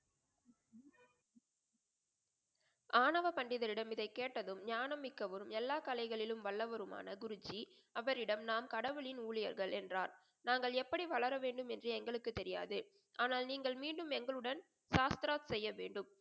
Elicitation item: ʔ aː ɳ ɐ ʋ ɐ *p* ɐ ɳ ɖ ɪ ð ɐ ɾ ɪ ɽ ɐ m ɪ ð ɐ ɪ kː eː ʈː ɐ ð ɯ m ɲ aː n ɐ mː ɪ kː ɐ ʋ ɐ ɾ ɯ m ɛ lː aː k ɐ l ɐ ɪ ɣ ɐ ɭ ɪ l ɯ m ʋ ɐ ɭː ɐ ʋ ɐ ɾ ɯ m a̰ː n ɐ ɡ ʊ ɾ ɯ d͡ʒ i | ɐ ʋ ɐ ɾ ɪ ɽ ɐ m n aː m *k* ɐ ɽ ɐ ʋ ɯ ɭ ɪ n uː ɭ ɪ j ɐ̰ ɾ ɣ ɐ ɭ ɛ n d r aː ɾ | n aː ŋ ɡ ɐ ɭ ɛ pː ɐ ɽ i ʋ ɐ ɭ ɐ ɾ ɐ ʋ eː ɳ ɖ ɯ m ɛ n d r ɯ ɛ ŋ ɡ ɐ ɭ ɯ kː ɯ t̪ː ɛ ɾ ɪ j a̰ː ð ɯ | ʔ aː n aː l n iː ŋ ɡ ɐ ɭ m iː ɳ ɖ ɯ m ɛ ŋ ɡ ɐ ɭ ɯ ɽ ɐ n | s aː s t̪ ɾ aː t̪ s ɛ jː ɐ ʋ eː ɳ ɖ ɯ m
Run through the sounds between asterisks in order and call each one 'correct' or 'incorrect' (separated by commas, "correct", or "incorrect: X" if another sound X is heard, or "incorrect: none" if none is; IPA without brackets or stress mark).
correct, correct